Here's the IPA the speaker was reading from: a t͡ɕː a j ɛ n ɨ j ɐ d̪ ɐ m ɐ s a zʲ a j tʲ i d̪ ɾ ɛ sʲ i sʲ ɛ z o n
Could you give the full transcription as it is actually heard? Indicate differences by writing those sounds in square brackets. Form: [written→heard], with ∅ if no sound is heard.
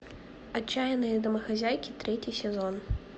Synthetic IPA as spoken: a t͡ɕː a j ɛ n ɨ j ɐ d̪ ɐ m ɐ [s→x] a zʲ a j [tʲ→kʲ] i [d̪→t̪] ɾ ɛ [sʲ→t͡sʲ] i sʲ ɛ z [o→ɔ] n